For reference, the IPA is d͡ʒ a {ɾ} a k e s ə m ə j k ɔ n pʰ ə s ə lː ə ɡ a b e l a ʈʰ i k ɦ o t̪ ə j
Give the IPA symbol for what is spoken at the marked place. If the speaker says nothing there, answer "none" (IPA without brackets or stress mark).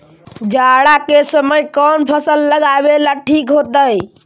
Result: ɽ